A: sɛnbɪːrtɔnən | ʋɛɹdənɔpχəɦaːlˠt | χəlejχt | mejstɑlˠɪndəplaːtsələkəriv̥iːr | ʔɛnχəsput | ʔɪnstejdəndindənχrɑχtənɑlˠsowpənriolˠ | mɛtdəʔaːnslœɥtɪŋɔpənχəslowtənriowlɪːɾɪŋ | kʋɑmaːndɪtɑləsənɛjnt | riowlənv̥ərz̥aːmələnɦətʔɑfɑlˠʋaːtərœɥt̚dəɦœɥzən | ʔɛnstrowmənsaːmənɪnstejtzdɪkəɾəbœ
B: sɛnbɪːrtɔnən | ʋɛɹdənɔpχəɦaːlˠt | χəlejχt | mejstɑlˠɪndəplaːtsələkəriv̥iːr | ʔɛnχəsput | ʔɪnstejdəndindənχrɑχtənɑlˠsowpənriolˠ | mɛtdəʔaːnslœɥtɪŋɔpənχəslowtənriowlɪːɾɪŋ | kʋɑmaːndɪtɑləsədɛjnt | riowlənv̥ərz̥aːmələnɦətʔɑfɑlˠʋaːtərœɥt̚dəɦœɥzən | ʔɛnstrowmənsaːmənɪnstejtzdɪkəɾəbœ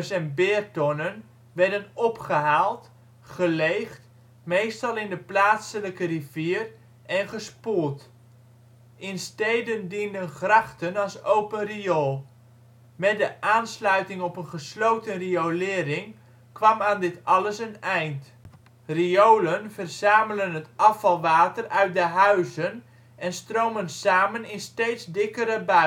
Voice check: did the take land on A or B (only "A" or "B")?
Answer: A